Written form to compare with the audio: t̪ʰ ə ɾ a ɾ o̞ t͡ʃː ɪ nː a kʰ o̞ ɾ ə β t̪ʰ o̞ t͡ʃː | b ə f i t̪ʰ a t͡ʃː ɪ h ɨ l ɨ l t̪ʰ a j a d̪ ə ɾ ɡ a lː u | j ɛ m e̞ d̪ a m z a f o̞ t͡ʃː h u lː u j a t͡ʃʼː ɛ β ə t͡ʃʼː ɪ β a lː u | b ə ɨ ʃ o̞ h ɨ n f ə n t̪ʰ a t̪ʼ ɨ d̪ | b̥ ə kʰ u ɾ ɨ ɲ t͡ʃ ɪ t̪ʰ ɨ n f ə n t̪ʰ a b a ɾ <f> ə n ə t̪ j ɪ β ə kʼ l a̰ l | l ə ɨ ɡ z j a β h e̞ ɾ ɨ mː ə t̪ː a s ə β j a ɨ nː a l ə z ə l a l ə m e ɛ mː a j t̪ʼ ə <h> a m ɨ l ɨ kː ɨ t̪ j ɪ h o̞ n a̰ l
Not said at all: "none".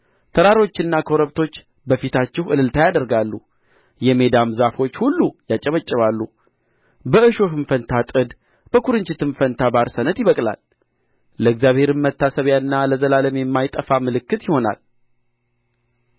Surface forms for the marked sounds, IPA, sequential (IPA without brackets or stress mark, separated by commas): s, f